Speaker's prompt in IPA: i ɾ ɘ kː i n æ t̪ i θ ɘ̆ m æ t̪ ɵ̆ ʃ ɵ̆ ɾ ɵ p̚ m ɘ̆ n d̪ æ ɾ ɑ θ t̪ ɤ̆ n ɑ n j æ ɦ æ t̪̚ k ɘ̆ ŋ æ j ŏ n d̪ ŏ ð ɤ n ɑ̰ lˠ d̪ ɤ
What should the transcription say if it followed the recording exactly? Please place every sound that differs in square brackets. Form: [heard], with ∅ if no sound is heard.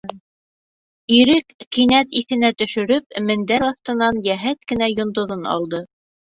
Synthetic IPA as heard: i ɾ ɘ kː i n æ t̪ i θ ɘ̆ [n] æ t̪ ɵ̆ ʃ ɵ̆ ɾ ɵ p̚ m ɘ̆ n d̪ æ ɾ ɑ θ t̪ ɤ̆ n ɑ n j æ ɦ æ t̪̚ k ɘ̆ [n] æ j ŏ n d̪ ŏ ð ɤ n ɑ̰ lˠ d̪ ɤ